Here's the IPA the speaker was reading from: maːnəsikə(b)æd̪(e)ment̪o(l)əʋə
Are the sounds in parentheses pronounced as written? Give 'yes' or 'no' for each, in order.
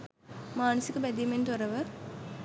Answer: yes, no, no

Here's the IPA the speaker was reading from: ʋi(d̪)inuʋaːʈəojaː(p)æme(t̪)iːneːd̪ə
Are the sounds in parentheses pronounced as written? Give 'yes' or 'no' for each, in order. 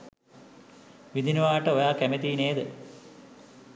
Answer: yes, no, yes

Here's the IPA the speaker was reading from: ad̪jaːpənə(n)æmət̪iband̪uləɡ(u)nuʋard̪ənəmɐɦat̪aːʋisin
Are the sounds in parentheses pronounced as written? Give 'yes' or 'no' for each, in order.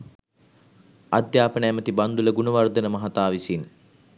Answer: no, yes

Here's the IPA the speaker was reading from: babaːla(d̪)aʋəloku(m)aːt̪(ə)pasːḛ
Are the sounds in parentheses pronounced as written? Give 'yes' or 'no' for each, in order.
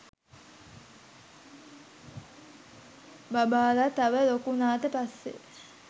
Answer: no, no, yes

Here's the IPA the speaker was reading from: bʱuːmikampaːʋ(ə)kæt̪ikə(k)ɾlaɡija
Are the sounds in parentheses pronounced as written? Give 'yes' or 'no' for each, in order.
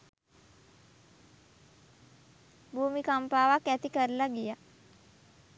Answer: no, no

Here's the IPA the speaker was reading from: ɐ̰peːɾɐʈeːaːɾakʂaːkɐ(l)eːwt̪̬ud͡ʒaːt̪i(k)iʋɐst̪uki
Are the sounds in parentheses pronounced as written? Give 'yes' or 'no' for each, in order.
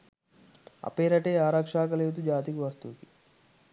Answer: yes, yes

